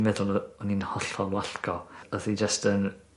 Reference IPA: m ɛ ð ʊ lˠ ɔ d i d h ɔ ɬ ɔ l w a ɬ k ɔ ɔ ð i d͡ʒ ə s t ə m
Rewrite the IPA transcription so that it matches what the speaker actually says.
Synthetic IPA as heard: m ɛ ð ʊ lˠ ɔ n i n h ɔ ɬ ɔ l w a ɬ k ɔ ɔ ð i d͡ʒ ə s t ə n